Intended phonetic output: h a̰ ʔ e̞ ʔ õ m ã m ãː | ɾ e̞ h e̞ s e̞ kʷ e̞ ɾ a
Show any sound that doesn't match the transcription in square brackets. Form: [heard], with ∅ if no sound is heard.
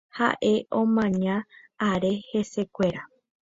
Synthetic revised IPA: h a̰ ʔ e̞ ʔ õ m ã [ɲ] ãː | ɾ e̞ h e̞ s e̞ kʷ e̞ ɾ a